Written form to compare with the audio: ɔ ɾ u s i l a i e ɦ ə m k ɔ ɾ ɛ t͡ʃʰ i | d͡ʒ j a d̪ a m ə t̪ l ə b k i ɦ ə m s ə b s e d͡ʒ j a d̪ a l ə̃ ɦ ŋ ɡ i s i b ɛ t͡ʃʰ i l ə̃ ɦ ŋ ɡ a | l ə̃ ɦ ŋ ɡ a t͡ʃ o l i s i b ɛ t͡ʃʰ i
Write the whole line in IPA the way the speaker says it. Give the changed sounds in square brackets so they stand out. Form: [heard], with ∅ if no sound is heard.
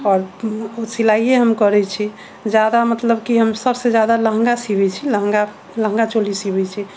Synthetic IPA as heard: ɔ ɾ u s i l a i e ɦ ə m k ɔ ɾ ɛ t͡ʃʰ i | d͡ʒ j a d̪ a m ə t̪ l ə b k i ɦ ə m s ə b s e d͡ʒ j a d̪ a l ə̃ ɦ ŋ ɡ [a] s i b ɛ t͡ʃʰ i l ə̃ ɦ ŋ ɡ a | l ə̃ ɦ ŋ ɡ a t͡ʃ o l i s i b ɛ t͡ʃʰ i